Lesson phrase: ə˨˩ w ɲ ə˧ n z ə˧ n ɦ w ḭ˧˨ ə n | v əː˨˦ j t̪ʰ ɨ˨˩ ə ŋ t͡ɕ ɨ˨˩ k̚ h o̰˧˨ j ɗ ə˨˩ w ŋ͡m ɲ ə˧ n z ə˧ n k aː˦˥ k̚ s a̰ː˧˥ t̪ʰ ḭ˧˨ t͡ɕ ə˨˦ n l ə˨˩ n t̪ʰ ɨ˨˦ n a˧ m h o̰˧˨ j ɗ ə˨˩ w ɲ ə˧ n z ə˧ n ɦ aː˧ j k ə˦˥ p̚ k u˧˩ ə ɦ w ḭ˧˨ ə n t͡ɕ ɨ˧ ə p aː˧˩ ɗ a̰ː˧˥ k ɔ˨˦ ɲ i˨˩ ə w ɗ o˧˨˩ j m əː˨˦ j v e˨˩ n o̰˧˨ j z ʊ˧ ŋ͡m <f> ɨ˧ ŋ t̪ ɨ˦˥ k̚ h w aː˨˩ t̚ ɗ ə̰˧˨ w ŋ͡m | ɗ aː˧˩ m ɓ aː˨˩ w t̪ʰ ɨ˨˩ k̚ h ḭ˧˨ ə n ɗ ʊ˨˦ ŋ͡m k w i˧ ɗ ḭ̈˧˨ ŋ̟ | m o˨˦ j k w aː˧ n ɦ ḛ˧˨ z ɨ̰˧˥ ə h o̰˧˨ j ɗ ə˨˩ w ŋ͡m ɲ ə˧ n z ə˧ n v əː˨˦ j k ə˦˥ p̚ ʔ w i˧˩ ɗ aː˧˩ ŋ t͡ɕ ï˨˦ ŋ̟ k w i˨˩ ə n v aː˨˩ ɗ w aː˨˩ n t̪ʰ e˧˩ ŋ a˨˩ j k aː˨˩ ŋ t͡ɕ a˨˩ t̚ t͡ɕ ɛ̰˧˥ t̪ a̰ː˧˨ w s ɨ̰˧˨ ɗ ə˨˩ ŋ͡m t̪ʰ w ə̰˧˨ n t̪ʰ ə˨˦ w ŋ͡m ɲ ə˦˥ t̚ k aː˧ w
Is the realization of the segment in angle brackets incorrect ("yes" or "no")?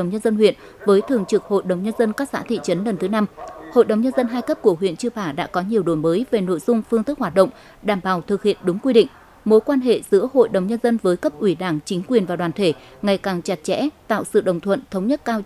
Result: no